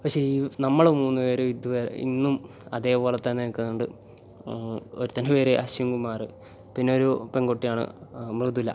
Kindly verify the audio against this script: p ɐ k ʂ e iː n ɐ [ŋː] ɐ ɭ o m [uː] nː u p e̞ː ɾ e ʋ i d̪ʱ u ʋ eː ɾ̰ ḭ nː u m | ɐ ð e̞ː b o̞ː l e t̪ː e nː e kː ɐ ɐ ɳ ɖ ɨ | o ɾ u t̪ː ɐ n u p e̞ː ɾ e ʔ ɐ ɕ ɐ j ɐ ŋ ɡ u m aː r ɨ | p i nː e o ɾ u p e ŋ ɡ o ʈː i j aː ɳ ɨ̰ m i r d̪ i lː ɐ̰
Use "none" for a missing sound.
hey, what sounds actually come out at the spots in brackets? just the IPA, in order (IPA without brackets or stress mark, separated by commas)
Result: mː, uː